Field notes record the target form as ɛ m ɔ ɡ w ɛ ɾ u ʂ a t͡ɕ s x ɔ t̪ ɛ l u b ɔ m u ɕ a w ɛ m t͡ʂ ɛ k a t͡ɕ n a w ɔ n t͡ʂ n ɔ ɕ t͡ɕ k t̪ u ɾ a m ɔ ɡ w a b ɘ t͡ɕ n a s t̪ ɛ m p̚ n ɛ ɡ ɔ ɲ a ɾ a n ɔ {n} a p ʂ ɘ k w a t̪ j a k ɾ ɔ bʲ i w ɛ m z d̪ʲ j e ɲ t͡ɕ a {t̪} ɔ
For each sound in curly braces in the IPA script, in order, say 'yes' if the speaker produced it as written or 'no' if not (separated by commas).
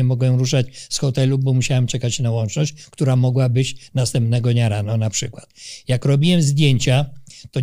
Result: yes, yes